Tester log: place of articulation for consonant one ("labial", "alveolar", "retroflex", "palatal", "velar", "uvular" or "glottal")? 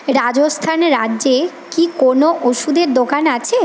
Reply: alveolar